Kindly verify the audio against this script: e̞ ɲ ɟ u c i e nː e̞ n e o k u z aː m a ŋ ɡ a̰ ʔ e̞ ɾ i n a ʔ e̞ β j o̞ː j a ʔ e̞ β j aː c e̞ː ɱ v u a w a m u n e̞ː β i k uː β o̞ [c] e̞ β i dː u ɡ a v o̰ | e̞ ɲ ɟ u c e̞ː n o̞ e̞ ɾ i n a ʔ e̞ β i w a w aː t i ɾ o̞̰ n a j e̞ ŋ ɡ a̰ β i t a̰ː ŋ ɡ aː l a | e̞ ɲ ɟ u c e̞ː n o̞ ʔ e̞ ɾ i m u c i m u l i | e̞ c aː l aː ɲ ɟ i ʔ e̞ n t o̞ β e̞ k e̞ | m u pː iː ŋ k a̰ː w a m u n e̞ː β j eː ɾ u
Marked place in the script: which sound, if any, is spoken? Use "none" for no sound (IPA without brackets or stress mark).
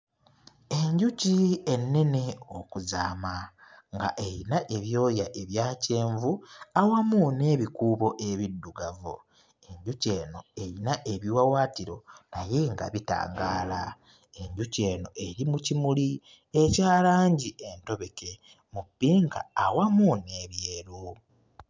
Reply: ʔ